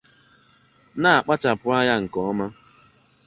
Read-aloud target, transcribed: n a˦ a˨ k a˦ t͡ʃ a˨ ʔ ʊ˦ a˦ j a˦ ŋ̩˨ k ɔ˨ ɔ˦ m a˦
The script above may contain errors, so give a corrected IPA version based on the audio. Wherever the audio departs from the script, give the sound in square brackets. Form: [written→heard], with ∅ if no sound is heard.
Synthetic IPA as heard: n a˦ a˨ [k→k͡p] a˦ t͡ʃ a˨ [ʔ→p] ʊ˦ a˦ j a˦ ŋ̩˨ k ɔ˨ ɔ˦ m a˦